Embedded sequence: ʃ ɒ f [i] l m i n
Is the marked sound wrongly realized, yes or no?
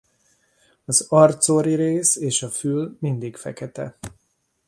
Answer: yes